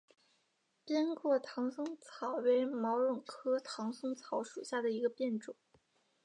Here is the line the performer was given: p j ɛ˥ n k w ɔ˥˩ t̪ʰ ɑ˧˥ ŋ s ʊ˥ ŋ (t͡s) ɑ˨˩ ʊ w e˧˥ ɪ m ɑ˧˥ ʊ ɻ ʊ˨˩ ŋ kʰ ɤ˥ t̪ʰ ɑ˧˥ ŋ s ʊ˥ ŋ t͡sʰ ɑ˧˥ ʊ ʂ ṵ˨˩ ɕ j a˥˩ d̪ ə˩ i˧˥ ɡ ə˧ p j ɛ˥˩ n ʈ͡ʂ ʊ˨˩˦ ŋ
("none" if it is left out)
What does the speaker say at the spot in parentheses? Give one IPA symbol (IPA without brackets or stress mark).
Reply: t͡sʰ